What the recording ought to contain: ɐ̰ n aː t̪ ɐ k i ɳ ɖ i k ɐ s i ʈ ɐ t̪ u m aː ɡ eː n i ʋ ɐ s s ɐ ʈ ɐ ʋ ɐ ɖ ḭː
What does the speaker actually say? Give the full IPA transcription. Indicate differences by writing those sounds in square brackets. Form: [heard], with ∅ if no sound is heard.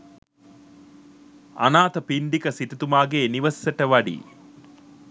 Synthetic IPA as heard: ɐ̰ n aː t̪ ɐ [p] i ɳ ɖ i k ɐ s i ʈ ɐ t̪ u m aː ɡ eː n i ʋ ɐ s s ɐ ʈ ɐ ʋ ɐ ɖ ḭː